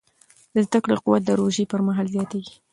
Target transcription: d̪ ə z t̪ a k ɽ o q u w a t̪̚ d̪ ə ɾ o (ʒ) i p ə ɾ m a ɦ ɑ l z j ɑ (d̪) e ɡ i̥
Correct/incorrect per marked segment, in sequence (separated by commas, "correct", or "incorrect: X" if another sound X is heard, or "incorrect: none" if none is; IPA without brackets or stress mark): correct, incorrect: t̪